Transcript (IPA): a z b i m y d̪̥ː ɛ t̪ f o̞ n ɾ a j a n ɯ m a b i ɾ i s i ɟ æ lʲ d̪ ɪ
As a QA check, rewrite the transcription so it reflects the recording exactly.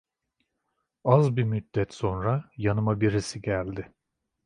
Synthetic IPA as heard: a z b i m y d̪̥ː ɛ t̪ s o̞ n ɾ a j a n ɯ m a b i ɾ i s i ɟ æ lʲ d̪ ɪ

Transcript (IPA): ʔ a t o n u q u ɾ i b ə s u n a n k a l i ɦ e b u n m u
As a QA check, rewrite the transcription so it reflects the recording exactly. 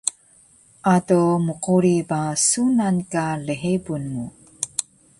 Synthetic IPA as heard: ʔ a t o m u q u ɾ i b a s u n a n k a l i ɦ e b u n m u

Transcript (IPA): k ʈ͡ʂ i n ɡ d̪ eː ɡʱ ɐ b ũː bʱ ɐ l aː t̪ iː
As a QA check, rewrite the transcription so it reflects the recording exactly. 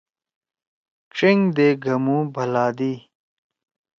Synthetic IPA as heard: k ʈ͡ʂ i ŋ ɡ d̪ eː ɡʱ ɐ m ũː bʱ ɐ l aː d̪ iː

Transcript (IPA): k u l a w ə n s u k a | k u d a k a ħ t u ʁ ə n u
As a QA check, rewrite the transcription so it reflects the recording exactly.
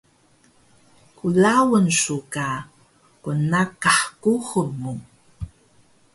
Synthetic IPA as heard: k u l a w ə n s u k a | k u n a k a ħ k u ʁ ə m u

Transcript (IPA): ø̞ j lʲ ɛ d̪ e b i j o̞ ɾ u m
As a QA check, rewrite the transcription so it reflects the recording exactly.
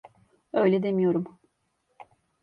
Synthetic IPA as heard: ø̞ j lʲ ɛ d̪ e m i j o̞ ɾ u m

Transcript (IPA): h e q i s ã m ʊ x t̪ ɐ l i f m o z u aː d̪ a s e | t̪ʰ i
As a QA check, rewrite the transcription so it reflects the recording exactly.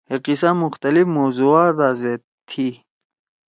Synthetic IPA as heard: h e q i s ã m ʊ x t̪ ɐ l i f m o z u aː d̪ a z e | t̪ʰ i

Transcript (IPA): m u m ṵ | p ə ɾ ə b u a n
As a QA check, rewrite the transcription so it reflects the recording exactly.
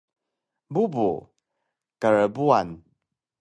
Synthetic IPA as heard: b u b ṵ | k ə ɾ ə b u a n

